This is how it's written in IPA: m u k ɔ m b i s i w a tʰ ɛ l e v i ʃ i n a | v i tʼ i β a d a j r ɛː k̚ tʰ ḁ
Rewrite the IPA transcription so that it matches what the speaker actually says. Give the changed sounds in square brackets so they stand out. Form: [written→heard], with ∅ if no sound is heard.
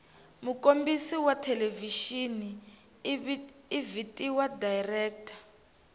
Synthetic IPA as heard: m u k [ɔ→o] m b i s i w a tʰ ɛ l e v i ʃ i n [a→i] | v i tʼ i [β→w] a d a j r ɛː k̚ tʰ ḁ